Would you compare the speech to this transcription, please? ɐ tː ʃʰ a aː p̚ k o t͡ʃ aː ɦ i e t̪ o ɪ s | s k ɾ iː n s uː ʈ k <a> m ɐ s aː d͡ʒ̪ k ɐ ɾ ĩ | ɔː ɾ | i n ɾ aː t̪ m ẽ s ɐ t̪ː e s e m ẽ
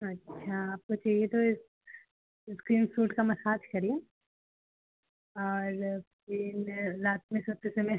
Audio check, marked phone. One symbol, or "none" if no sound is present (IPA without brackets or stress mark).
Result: a